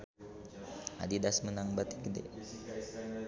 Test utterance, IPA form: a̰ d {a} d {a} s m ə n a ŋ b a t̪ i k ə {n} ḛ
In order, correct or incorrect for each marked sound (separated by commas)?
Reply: incorrect, correct, incorrect